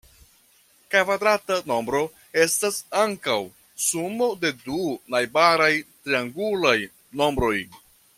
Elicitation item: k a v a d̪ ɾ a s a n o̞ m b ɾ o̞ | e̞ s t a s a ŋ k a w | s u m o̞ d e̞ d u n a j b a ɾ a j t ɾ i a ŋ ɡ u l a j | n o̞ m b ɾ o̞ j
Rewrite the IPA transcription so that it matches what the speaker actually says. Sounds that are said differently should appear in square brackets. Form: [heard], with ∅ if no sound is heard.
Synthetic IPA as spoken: k a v a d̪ ɾ a [t] a n o̞ m b ɾ o̞ | e̞ s t a s a ŋ k a w | s u m o̞ d e̞ d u n a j b a ɾ a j t ɾ i a ŋ ɡ u l a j | n o̞ m b ɾ o̞ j